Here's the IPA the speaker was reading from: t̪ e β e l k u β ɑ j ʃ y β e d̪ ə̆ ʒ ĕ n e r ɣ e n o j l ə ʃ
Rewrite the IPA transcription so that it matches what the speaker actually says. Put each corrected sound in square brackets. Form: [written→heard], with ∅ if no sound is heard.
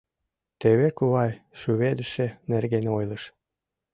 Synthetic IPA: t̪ e β e [l→∅] k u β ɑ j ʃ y β e d̪ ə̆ [ʒ→ʃ] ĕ n e r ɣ e n o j l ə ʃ